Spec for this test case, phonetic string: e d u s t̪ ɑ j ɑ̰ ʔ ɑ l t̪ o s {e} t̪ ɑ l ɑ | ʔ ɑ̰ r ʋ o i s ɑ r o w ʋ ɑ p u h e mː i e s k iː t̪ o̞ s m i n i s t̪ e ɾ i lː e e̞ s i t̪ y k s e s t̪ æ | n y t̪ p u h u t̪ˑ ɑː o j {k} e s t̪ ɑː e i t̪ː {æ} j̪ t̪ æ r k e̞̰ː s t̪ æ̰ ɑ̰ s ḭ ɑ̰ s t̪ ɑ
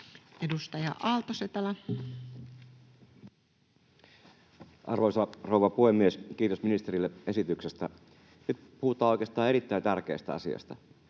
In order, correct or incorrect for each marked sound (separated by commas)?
correct, correct, correct